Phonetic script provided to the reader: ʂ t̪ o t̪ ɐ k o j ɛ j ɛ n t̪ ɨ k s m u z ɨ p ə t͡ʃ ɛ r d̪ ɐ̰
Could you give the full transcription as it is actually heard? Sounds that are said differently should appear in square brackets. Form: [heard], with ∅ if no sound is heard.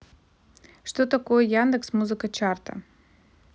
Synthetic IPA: ʂ t̪ o t̪ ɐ k o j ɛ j [a] n [d̪] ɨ k s m u z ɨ [k] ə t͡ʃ [a] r [t̪] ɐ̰